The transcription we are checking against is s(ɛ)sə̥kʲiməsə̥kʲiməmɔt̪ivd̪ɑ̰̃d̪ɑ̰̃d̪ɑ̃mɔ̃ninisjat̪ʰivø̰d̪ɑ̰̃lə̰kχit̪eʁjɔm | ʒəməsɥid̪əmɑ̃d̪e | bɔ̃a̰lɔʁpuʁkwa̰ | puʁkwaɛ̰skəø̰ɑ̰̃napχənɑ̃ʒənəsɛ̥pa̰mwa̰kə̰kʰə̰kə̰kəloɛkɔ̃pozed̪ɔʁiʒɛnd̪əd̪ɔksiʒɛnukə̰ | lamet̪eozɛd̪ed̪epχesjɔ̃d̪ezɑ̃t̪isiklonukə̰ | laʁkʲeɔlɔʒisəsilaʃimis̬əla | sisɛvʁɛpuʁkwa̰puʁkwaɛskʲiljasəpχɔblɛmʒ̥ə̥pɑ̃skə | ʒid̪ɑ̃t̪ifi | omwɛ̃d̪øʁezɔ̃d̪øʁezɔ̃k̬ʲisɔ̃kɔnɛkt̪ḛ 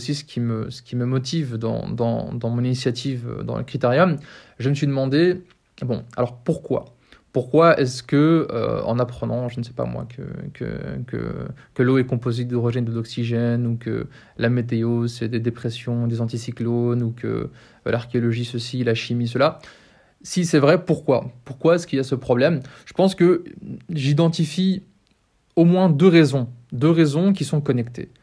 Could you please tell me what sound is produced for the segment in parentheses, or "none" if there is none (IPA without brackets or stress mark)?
i